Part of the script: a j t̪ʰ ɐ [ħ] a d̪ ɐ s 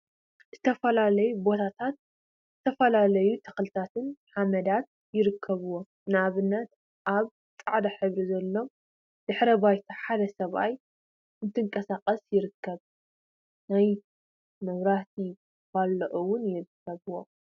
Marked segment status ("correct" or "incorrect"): correct